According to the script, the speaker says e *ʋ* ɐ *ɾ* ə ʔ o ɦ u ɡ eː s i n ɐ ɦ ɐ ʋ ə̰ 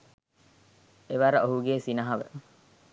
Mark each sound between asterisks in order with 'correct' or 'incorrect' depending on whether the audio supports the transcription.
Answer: correct, correct

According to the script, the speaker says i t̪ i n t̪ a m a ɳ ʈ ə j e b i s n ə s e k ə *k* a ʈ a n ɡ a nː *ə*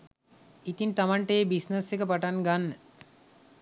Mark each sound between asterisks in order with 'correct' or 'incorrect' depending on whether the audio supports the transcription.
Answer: incorrect, correct

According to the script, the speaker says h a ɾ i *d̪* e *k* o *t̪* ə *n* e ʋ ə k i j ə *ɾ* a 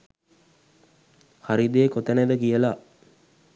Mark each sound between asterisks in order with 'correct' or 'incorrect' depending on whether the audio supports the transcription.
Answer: correct, correct, correct, correct, incorrect

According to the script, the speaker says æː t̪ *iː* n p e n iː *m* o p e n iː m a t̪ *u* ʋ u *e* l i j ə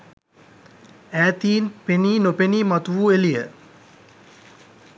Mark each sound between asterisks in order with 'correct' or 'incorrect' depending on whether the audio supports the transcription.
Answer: correct, incorrect, correct, correct

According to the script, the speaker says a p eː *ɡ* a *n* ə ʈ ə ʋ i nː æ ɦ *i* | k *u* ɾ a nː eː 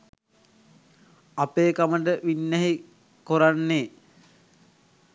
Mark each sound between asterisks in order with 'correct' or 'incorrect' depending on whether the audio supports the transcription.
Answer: incorrect, incorrect, correct, incorrect

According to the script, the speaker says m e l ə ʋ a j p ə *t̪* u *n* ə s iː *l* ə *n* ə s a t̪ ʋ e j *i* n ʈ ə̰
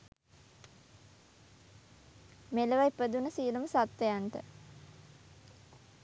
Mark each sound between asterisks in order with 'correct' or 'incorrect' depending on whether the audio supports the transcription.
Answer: incorrect, correct, correct, incorrect, incorrect

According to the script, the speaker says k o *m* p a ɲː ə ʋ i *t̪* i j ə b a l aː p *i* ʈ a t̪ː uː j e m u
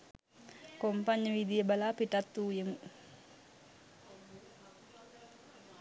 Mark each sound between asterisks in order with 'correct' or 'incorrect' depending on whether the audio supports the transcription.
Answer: correct, incorrect, correct

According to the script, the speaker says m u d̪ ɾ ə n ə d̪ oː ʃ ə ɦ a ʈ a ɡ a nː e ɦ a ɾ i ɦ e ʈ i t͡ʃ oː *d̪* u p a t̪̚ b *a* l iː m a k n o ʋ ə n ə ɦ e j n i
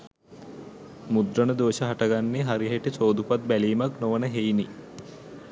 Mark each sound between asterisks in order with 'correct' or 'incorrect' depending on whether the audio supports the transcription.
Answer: correct, incorrect

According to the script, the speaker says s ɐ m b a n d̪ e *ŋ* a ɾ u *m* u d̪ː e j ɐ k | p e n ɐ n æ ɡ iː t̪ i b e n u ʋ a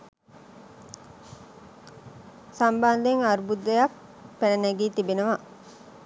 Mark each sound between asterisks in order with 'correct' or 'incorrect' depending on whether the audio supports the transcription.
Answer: correct, incorrect

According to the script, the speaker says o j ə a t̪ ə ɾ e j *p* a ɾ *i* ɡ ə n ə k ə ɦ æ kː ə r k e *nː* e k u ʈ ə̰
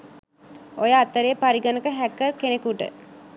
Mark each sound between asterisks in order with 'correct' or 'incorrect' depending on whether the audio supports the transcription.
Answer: correct, correct, incorrect

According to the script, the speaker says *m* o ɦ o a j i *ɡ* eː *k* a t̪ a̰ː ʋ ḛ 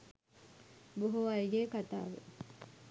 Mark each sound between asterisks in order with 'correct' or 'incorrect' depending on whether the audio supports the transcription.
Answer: incorrect, correct, correct

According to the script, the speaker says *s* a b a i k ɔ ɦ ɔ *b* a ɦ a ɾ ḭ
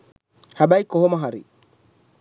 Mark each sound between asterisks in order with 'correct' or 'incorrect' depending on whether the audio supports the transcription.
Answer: incorrect, incorrect

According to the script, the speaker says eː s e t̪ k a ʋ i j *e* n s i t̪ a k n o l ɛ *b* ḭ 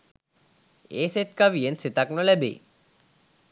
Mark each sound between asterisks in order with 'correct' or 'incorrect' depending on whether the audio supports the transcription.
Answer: correct, correct

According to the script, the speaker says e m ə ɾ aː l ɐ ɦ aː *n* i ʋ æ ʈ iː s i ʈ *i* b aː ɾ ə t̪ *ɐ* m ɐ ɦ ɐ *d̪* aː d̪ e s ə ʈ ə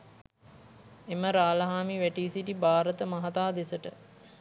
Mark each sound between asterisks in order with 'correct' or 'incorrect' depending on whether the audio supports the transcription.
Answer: incorrect, correct, incorrect, incorrect

